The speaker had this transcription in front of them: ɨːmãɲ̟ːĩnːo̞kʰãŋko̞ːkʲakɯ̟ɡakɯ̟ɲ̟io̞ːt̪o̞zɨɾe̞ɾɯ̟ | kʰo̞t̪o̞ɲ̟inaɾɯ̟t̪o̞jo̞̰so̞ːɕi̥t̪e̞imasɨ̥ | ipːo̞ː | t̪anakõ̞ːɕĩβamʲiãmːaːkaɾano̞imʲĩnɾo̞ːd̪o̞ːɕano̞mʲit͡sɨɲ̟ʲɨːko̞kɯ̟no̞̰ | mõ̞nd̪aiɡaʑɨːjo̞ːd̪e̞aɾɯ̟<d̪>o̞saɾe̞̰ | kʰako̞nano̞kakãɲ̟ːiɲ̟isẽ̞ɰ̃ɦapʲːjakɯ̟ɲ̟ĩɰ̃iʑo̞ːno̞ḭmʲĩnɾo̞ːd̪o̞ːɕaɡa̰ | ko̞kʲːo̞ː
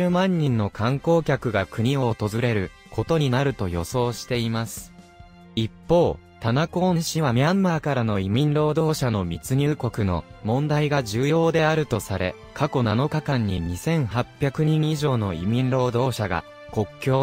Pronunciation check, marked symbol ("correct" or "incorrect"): incorrect